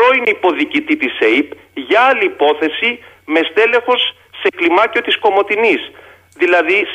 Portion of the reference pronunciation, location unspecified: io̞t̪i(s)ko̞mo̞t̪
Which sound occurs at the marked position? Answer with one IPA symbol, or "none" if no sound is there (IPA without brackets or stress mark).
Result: s